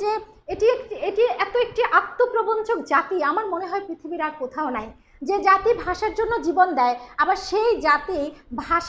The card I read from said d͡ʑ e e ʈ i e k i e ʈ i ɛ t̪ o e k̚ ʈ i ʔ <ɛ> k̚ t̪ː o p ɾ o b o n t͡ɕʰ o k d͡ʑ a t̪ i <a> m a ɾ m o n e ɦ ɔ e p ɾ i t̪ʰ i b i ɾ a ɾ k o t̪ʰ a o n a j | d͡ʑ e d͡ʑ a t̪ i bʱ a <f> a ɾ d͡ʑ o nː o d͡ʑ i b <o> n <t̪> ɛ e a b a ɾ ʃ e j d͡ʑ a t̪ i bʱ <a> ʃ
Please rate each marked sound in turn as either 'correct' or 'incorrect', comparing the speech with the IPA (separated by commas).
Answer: incorrect, correct, incorrect, correct, incorrect, correct